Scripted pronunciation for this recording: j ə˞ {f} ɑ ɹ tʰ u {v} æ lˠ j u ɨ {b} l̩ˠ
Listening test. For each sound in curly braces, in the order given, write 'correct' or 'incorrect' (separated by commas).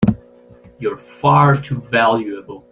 correct, correct, correct